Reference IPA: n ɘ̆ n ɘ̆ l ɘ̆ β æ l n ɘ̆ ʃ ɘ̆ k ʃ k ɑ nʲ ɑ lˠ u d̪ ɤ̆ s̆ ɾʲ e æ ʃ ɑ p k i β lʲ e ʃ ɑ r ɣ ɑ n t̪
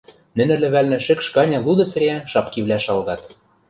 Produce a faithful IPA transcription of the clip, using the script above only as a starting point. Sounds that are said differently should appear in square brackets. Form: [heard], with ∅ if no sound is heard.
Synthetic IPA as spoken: n ɘ̆ n ɘ̆ l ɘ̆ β æ l n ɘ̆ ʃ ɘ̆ k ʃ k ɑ nʲ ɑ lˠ u d̪ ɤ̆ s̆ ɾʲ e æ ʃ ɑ p k i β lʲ [æ] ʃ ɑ [l] ɣ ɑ [∅] t̪

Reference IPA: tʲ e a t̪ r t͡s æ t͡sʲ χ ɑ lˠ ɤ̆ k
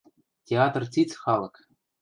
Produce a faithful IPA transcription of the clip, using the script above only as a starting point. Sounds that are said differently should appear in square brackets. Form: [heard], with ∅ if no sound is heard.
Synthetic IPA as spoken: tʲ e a t̪ r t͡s [i] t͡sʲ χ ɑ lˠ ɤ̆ k

